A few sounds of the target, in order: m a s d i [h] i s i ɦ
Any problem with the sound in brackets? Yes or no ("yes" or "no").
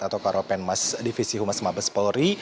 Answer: yes